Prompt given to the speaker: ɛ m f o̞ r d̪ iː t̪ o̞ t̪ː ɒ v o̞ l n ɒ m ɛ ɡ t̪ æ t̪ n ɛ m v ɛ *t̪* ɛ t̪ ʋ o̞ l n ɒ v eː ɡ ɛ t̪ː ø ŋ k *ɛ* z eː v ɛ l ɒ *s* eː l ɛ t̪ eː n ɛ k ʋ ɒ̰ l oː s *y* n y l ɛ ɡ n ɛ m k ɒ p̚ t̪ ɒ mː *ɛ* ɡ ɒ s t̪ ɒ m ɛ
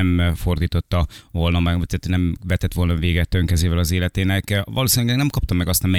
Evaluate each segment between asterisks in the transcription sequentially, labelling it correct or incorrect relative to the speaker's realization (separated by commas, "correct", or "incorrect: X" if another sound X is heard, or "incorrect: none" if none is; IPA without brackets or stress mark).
correct, correct, incorrect: z, incorrect: i, correct